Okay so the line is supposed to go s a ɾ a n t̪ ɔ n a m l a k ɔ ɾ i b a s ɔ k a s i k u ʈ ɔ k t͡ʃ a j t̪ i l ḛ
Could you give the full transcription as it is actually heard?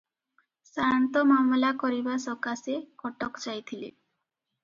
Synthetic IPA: s a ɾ a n t̪ ɔ m a m l a k ɔ ɾ i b a s ɔ k a s e k ɔ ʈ ɔ k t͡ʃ a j t̪ʰ i l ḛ